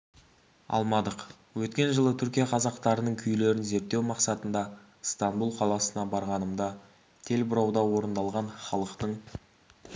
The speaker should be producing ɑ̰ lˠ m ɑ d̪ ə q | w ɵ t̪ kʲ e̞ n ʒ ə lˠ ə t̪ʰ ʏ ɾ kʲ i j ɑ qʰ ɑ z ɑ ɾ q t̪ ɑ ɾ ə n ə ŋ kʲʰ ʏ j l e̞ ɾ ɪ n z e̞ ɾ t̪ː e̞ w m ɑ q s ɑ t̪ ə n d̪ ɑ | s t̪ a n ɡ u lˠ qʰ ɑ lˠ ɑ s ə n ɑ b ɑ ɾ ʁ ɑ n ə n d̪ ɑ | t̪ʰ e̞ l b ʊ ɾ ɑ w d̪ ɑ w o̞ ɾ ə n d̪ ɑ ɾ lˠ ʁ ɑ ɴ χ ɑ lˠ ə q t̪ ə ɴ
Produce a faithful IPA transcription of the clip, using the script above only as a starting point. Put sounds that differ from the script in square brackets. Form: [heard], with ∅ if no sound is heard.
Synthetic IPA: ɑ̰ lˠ m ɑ d̪ ə q | w ɵ t̪ kʲ e̞ n ʒ ə lˠ ə t̪ʰ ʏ ɾ kʲ i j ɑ qʰ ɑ z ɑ [∅] q t̪ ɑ ɾ ə n ə [ɴ] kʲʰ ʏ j l e̞ ɾ ɪ n z e̞ ɾ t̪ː e̞ w m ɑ q s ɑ t̪ ə n d̪ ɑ | s t̪ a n [b] u lˠ qʰ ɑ lˠ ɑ s ə n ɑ b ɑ ɾ ʁ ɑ n ə [m] d̪ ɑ | t̪ʰ e̞ l b ʊ ɾ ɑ w d̪ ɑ w o̞ ɾ ə n d̪ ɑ [∅] lˠ ʁ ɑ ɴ χ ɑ lˠ ə q t̪ ə ɴ